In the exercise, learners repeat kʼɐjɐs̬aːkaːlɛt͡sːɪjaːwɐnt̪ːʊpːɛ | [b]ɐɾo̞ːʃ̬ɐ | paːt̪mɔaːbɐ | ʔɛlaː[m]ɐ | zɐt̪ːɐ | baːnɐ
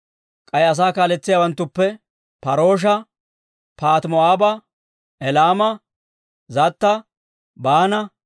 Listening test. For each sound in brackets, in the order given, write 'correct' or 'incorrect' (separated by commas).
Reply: incorrect, correct